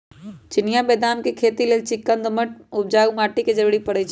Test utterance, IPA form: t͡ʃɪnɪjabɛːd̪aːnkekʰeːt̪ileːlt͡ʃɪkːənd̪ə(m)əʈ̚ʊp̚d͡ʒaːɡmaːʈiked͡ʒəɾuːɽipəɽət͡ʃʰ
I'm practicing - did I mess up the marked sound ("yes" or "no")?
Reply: no